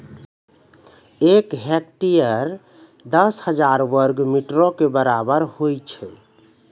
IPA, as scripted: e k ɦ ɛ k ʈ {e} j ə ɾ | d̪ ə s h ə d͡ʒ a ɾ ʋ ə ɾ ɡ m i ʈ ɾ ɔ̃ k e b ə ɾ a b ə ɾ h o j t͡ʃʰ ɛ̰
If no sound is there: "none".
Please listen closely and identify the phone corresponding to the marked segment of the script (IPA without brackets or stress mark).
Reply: i